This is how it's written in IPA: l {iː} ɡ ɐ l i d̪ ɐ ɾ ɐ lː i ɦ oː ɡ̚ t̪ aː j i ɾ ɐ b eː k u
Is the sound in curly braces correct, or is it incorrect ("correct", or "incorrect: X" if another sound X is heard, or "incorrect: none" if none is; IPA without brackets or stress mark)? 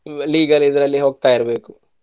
correct